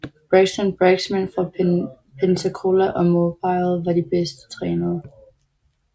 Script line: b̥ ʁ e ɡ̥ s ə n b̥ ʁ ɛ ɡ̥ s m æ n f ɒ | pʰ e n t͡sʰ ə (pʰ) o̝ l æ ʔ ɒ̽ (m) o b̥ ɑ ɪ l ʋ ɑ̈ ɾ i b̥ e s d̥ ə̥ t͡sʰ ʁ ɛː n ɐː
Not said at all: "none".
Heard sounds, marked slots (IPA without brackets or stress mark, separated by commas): kʰ, m